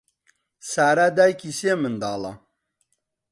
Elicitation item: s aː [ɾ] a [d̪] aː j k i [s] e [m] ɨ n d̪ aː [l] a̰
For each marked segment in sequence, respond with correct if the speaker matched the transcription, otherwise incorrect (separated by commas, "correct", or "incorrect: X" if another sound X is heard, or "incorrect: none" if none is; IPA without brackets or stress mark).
correct, correct, correct, correct, correct